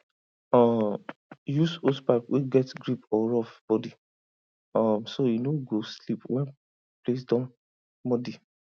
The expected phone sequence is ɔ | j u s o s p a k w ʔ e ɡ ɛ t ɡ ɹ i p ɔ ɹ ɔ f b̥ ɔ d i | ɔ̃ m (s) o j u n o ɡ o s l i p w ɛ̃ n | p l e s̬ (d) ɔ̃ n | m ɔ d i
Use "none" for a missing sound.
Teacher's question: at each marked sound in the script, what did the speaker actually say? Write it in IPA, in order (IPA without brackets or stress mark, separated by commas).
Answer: s, d